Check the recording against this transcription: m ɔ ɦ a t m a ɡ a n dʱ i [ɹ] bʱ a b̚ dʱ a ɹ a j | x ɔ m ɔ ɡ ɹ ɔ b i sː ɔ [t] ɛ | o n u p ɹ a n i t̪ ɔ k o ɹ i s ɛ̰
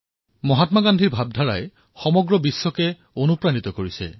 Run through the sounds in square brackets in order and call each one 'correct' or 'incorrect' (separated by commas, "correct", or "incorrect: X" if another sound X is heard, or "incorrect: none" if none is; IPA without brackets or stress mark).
correct, incorrect: k